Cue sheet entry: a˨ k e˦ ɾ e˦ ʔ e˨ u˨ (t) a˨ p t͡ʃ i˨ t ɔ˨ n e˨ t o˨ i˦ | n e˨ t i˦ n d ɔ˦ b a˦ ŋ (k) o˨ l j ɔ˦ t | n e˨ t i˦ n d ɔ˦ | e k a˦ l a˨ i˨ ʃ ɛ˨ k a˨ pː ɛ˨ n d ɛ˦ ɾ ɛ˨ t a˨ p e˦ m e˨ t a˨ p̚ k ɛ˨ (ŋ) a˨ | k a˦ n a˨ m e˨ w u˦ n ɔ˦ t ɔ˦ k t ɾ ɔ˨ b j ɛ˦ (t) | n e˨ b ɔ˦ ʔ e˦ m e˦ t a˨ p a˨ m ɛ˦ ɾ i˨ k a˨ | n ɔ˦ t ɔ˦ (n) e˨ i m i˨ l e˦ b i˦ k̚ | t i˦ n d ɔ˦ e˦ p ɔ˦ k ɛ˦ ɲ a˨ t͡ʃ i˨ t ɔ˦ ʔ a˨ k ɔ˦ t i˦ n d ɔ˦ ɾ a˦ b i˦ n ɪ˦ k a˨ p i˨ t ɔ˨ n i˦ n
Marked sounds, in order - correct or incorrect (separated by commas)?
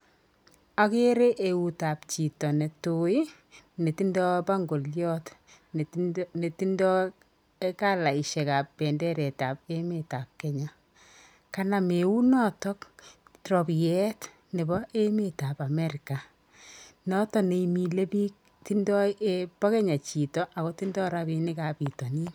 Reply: correct, incorrect, incorrect, correct, correct